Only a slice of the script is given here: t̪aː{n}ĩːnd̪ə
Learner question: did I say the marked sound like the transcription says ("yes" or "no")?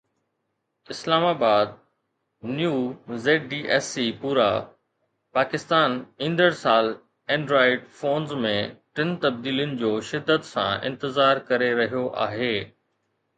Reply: yes